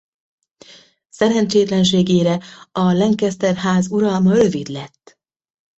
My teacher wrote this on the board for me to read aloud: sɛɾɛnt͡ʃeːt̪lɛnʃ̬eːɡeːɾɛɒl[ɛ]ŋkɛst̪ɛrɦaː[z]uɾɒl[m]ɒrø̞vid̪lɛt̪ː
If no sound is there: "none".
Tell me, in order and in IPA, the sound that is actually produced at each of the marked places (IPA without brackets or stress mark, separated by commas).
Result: ɛ, z, m